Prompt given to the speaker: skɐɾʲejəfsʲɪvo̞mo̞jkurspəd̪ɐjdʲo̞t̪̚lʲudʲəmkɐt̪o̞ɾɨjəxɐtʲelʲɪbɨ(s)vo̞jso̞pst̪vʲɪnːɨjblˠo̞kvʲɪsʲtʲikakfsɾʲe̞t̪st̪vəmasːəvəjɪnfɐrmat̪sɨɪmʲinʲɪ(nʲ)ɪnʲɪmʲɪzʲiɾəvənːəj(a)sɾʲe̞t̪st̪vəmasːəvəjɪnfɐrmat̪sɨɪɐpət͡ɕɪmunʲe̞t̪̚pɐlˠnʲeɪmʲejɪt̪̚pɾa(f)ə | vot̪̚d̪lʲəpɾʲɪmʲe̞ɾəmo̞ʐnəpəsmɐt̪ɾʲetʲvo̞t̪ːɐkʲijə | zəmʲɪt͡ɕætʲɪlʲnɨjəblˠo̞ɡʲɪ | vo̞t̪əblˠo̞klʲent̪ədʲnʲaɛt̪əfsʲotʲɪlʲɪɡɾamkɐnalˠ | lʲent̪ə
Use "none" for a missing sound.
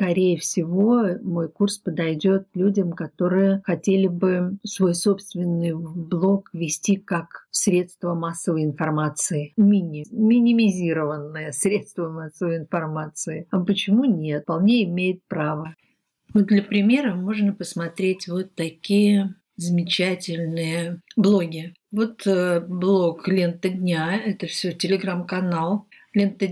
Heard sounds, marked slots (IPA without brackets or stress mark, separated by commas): s, mʲ, ə, v